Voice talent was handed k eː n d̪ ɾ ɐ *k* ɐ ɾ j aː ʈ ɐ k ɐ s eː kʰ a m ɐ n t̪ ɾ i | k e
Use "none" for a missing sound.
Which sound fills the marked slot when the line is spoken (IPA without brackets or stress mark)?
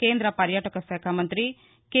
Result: p